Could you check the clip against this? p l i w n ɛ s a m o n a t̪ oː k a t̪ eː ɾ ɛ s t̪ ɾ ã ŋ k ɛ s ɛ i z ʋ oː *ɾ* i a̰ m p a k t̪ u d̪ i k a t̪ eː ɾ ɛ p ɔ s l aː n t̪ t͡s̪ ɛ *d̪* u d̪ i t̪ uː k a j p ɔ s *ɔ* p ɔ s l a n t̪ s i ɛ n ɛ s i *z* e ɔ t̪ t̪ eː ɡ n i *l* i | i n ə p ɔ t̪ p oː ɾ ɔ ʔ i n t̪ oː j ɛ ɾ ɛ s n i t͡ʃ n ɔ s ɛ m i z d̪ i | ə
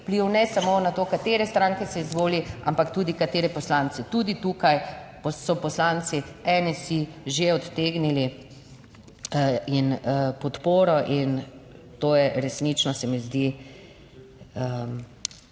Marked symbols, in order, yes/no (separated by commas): no, no, yes, no, yes